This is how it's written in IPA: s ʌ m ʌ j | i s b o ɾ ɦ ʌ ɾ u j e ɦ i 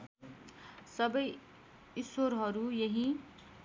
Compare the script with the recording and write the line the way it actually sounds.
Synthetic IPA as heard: s ʌ b ʌ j | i s w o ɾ ɦ ʌ ɾ u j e ɦ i